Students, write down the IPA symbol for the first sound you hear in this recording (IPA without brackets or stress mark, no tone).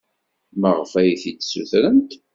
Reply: m